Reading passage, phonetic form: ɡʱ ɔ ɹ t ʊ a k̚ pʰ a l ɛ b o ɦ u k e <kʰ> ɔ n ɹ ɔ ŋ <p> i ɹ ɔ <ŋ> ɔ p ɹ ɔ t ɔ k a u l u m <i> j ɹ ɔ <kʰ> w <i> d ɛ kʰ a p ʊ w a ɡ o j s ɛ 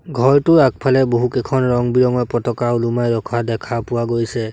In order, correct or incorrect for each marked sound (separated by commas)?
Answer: correct, incorrect, correct, incorrect, correct, incorrect